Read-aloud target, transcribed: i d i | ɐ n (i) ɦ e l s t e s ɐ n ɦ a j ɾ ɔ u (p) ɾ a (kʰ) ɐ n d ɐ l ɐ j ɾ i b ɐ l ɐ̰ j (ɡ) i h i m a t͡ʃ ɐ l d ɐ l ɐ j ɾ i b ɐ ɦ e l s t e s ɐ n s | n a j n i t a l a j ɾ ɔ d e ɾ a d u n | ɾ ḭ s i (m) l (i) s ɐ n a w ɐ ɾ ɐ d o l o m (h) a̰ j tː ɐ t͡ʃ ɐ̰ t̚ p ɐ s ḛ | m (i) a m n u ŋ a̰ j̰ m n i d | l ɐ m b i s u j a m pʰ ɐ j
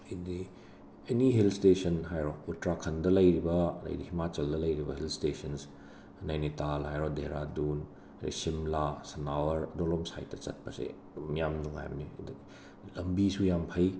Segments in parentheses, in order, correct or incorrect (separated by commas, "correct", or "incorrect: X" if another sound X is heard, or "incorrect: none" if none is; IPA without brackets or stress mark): correct, incorrect: t, correct, incorrect: d, correct, incorrect: a, incorrect: s, incorrect: j